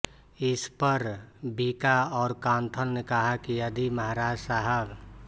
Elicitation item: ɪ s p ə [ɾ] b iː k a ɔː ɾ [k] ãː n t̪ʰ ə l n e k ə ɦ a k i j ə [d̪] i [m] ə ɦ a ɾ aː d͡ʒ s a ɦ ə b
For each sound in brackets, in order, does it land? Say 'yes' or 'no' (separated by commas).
yes, yes, yes, yes